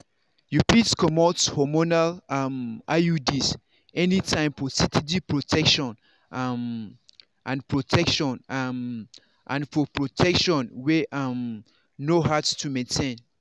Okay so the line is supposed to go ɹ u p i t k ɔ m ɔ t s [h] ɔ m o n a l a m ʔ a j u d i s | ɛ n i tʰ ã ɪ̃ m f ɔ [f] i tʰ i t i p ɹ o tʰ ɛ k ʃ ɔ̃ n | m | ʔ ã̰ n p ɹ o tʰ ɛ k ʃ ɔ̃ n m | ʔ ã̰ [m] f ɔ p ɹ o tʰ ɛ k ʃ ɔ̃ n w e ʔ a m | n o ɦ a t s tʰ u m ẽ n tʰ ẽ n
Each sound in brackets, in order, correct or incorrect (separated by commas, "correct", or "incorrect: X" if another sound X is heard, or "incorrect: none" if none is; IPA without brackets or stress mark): correct, incorrect: s, incorrect: n